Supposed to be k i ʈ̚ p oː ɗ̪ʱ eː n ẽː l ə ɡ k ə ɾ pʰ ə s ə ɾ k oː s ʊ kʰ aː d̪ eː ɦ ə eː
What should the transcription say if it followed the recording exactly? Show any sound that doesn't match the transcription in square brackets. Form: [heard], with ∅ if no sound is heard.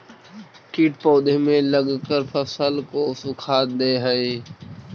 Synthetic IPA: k [iː] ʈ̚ p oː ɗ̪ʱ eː [m] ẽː l ə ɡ k ə ɾ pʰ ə s ə [l] k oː s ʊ kʰ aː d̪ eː ɦ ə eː